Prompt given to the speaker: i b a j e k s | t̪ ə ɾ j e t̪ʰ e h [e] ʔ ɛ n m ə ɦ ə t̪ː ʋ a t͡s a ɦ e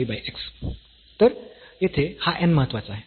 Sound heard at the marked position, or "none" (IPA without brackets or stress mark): a